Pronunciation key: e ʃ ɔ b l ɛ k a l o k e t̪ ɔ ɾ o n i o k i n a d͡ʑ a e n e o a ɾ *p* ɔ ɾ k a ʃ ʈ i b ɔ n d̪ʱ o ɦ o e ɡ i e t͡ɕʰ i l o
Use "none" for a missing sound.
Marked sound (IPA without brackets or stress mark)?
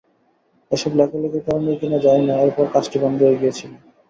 p